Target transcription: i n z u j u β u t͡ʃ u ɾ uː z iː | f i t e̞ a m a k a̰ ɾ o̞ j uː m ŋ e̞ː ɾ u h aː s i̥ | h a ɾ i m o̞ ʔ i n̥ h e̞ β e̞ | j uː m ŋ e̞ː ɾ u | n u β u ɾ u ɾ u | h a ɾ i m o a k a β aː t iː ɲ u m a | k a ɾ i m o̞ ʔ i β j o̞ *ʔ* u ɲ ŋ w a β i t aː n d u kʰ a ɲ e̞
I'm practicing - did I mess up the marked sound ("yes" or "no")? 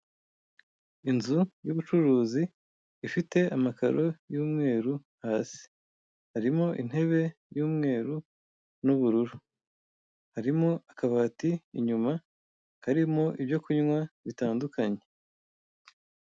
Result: yes